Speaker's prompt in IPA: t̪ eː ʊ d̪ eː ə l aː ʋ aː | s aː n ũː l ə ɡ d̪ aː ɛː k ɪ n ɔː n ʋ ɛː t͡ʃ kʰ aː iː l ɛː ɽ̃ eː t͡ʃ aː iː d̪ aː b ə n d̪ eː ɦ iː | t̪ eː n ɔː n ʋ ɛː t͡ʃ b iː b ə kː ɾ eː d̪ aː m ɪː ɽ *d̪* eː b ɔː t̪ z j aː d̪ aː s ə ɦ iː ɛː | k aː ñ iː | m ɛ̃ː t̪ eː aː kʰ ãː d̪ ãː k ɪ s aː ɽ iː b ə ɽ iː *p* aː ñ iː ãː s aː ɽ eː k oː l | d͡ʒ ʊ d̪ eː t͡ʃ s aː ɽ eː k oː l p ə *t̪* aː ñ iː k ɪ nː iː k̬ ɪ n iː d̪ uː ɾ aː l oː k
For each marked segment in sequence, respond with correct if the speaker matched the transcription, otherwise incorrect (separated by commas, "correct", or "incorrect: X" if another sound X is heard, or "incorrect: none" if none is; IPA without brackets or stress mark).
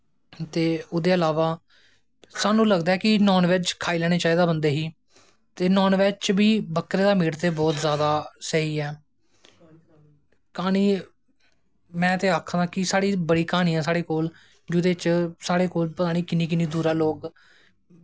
incorrect: t̪, incorrect: k, correct